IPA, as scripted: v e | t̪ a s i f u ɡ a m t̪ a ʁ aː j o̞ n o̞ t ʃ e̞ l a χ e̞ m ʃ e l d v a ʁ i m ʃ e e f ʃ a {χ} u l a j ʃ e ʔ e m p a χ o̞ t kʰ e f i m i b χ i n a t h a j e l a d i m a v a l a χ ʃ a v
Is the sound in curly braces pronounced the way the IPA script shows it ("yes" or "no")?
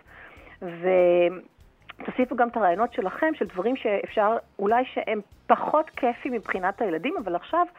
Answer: no